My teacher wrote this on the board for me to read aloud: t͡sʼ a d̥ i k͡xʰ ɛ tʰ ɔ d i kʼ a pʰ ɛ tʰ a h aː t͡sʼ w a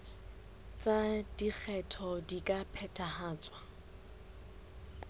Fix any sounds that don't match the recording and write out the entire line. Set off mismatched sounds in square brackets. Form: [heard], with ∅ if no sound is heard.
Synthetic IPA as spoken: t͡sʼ a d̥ i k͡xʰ ɛ tʰ ɔ d i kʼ a pʰ ɛ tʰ a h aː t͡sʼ w a